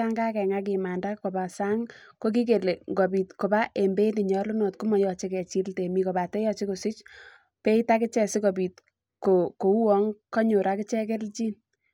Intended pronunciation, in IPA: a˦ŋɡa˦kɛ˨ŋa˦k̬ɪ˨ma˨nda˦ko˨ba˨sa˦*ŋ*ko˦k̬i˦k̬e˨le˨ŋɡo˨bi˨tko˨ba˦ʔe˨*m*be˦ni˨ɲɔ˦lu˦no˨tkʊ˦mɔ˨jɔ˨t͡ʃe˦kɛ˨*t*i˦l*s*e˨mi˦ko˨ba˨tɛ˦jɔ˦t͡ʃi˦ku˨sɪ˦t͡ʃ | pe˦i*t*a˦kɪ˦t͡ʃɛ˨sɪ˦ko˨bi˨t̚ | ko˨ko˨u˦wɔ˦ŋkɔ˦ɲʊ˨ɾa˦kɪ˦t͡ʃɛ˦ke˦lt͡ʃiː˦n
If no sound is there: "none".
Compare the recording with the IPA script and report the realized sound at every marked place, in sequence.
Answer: ŋ, m, t͡ʃ, t, t

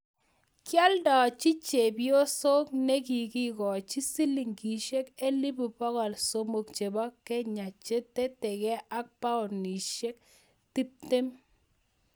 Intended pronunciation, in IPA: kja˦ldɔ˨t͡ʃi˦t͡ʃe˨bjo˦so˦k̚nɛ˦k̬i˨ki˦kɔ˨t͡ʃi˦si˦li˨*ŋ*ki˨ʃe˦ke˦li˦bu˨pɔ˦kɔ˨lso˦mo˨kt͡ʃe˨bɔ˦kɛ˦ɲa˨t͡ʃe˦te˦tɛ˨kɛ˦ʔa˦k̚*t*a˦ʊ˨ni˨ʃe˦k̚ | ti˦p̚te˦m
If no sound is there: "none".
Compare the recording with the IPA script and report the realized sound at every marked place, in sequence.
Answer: ŋ, p

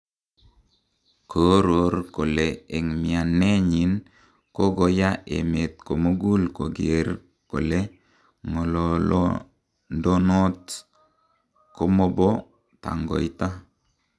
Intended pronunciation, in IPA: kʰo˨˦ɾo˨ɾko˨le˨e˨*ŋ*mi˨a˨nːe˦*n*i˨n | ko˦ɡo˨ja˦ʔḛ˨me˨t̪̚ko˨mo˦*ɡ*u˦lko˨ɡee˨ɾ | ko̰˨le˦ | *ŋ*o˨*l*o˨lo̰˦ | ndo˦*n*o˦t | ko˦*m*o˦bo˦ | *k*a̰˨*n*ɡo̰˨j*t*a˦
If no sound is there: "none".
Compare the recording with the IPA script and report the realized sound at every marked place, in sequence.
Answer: ŋ, ɲ, ɡ, ŋ, l, n, m, t, ŋ, t

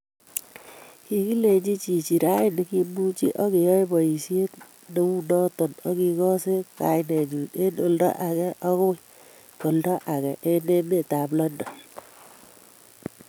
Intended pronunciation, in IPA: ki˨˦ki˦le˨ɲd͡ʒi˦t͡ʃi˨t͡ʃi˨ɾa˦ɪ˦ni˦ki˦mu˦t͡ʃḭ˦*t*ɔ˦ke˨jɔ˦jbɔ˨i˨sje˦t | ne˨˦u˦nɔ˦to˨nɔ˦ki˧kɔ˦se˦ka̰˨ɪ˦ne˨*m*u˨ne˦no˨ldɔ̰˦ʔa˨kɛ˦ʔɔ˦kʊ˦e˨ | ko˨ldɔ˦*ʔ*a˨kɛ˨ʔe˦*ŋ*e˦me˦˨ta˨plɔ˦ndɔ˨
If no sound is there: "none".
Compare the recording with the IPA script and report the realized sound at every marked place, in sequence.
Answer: ʔ, ɲ, ʔ, n

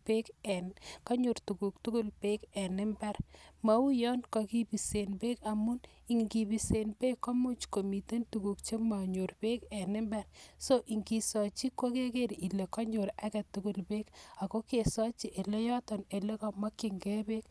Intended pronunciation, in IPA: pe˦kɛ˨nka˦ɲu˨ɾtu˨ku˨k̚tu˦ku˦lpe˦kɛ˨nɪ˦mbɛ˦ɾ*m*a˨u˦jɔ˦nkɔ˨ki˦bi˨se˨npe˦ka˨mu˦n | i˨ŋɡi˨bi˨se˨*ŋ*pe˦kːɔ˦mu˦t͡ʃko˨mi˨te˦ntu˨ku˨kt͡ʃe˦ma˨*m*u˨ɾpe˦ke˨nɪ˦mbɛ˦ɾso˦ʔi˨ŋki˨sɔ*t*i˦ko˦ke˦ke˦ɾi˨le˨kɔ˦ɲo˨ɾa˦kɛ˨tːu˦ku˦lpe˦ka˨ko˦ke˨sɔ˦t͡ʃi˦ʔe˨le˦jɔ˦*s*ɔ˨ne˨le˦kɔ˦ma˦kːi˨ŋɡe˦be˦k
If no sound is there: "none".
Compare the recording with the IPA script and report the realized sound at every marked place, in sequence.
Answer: m, n, ɲ, t͡ʃ, t

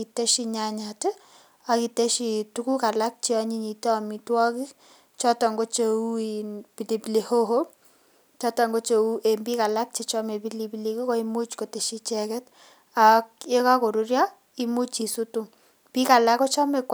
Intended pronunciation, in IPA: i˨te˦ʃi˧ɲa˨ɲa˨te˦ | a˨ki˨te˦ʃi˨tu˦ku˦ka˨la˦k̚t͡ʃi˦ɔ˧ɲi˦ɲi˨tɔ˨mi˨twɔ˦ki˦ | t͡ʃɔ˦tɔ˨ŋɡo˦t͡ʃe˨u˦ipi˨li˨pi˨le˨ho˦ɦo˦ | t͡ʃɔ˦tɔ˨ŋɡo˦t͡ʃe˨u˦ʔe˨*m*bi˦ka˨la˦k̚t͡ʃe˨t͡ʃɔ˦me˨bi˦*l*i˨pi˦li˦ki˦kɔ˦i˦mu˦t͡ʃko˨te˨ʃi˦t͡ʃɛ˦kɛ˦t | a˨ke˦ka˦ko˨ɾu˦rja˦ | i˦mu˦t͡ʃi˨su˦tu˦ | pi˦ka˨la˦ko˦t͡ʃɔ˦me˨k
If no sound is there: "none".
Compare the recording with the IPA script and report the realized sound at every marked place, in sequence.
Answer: m, l

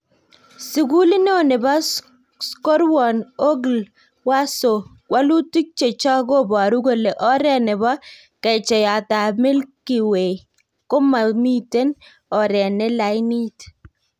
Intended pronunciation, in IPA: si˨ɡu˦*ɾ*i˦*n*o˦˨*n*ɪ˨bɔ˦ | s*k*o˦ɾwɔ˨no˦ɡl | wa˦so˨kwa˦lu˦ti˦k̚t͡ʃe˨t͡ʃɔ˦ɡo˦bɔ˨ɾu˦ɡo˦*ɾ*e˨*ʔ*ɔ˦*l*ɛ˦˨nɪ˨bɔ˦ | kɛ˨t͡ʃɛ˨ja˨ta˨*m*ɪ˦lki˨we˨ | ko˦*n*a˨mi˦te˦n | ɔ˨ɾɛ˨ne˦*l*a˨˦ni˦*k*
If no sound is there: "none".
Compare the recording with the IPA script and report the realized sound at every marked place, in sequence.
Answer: l, n, n, k, l, ʔ, ɾ, m, m, l, t

